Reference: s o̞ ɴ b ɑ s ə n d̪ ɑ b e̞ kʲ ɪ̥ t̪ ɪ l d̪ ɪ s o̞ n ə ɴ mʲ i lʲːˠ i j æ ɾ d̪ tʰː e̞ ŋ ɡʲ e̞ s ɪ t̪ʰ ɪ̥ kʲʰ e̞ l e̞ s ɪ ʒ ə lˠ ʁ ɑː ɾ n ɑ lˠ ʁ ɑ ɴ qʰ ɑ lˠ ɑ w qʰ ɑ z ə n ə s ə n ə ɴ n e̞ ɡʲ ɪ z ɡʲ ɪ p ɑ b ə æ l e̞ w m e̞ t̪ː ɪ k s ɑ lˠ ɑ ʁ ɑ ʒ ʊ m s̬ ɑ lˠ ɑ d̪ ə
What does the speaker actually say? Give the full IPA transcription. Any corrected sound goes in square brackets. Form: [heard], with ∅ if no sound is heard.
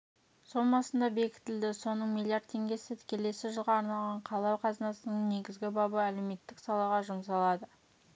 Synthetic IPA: s o̞ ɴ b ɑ s ə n d̪ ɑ b e̞ kʲ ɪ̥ t̪ ɪ l d̪ ɪ s o̞ n ə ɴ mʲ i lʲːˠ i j [a] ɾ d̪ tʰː e̞ ŋ ɡʲ e̞ s ɪ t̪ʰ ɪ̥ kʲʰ e̞ l e̞ s ɪ ʒ ə lˠ ʁ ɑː ɾ n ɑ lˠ ʁ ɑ ɴ qʰ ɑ lˠ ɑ w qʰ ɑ z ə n [ɑ] s ə n ə ɴ n e̞ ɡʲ ɪ z ɡʲ ɪ [b] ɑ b ə æ l e̞ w m e̞ t̪ː ɪ k s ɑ lˠ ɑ ʁ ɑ ʒ ʊ m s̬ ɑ lˠ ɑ d̪ ə